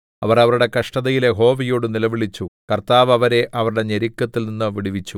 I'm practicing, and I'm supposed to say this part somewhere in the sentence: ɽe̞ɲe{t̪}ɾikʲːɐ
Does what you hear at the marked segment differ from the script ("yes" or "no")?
yes